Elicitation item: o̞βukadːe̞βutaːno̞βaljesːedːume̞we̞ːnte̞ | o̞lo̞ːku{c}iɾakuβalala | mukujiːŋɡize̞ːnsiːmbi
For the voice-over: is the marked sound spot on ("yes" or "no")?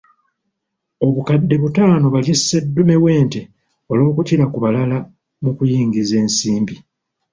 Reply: yes